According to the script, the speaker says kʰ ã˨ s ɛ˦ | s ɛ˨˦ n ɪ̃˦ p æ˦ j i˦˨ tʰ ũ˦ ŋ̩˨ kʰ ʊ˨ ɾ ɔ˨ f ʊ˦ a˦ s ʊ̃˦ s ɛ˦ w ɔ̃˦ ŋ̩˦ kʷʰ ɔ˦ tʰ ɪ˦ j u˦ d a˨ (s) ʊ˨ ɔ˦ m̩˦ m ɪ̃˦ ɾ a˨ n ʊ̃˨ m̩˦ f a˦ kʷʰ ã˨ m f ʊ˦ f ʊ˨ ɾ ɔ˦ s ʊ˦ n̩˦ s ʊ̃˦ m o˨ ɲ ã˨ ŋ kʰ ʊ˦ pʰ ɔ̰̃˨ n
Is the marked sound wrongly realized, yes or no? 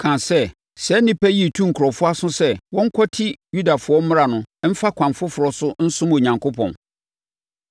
yes